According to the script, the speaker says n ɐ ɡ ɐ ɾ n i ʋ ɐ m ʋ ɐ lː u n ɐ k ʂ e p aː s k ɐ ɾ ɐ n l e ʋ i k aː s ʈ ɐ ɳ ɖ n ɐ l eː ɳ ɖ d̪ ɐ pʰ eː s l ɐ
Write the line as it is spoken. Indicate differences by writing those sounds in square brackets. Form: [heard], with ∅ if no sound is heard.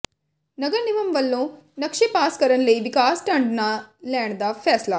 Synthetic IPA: n ɐ ɡ ɐ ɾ n i ʋ ɐ m ʋ ɐ lː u n ɐ k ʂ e p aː s k ɐ ɾ ɐ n l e ʋ i k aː s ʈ ɐ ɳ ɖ n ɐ l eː ɳ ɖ d̪ ɐ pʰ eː s l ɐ